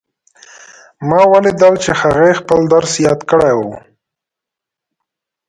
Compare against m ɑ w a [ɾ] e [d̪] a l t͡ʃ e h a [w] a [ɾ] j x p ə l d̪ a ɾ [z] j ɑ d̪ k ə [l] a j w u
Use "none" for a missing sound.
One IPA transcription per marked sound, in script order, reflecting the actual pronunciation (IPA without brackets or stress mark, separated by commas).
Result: l, d̪, ɣ, none, s, ɽ